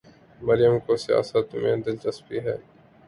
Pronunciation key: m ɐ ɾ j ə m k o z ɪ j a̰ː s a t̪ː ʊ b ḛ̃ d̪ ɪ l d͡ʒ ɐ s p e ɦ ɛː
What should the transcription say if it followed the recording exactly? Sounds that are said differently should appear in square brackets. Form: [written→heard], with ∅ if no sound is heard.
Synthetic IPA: m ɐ ɾ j ə m k o [z→s] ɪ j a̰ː s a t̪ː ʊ [b→m] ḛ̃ d̪ ɪ l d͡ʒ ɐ s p [e→i] ɦ ɛː